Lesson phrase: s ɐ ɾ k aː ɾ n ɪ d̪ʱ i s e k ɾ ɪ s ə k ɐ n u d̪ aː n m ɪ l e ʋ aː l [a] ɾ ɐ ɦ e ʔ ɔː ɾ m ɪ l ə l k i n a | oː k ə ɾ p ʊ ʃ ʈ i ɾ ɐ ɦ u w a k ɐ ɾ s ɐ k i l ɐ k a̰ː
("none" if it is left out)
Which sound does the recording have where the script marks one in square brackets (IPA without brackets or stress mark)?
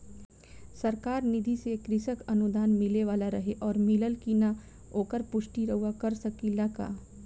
a